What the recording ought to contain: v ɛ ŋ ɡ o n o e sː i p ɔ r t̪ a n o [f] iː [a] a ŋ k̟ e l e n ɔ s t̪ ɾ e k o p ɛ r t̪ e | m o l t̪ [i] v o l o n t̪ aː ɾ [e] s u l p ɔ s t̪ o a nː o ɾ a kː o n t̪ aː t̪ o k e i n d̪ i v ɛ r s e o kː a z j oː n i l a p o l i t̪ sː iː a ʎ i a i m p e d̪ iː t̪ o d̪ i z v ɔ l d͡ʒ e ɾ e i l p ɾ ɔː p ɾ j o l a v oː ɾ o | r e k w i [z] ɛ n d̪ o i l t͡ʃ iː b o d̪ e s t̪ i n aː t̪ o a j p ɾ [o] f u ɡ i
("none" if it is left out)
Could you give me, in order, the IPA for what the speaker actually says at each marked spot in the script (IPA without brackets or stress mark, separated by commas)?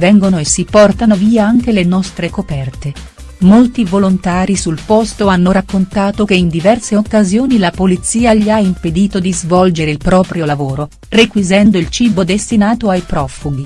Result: v, a, i, i, z, ɔ